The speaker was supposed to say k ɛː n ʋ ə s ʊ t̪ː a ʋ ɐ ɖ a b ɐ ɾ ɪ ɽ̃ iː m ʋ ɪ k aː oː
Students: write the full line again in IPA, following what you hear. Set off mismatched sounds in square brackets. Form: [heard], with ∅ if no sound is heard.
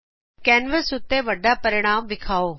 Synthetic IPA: k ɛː n ʋ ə s ʊ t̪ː [e] ʋ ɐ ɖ a [p] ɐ ɾ ɪ ɽ̃ [aː] m ʋ ɪ [kʰ] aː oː